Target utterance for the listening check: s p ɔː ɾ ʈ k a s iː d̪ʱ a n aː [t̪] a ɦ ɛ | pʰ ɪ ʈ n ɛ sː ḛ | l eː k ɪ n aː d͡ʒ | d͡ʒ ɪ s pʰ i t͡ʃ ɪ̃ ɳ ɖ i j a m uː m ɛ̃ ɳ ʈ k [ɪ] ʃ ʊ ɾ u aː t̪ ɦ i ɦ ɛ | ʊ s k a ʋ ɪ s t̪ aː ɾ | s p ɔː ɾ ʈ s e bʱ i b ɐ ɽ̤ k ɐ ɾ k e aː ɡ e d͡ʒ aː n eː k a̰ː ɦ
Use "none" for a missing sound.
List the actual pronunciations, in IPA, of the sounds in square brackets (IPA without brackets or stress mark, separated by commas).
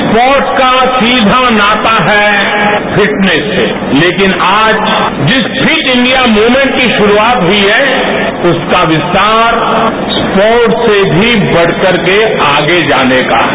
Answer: t̪, i